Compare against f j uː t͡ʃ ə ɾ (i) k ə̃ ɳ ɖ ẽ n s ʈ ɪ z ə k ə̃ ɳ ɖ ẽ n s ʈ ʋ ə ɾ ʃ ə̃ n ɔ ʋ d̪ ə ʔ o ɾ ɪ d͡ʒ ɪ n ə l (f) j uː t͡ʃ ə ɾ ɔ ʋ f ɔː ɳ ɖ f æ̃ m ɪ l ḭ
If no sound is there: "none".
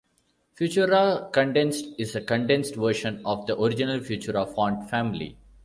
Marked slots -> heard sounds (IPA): a, f

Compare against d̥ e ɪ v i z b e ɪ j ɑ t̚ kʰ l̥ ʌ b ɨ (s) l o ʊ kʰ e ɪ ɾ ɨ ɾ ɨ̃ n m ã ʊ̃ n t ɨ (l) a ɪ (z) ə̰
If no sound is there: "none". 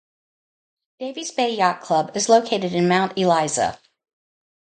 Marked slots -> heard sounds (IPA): z, l, z

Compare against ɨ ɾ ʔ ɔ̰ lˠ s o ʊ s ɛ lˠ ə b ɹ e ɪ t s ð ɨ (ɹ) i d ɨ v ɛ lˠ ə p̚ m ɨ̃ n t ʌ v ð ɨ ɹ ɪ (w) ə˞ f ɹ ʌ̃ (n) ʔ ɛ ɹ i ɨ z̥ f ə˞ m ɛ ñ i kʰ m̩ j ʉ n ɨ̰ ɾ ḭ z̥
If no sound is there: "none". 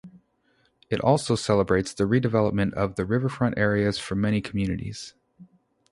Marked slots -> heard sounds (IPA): ɹ, v, n

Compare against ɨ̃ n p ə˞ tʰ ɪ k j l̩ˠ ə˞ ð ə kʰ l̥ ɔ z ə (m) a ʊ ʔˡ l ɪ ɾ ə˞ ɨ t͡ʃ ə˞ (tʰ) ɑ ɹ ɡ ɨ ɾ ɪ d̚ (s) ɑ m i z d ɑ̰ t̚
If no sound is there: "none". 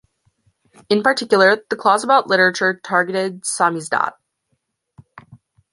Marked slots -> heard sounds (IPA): b, tʰ, s

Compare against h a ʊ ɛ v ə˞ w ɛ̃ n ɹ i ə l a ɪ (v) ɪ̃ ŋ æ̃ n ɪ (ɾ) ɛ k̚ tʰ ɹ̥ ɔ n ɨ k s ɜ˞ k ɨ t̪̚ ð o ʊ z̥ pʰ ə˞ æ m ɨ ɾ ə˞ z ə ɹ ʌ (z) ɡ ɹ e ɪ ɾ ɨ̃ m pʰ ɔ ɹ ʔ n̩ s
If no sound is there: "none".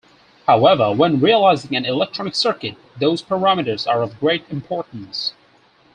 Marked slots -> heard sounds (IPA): z, l, v

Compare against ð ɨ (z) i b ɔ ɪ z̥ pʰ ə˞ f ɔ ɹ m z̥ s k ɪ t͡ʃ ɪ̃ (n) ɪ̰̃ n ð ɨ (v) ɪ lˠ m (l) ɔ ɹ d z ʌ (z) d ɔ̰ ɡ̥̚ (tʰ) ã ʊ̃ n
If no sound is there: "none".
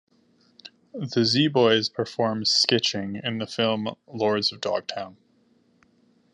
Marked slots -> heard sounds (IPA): z, ŋ, f, l, v, tʰ

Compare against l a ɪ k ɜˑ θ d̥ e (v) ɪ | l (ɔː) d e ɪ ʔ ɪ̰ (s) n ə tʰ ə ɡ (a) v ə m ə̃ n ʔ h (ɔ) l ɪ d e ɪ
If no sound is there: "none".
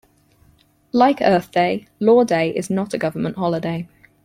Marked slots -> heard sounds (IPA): none, ɔː, z, ʌ, ɒ

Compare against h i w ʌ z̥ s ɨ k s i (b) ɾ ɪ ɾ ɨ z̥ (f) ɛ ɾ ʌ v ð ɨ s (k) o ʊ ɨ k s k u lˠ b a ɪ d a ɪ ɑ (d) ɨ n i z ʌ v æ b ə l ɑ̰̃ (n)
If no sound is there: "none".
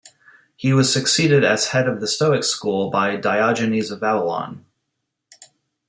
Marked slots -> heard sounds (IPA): none, h, t, d͡ʒ, n

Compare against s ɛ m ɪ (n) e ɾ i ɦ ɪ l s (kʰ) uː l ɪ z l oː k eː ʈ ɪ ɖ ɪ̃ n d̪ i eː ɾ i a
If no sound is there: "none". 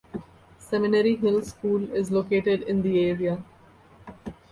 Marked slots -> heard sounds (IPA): n, k

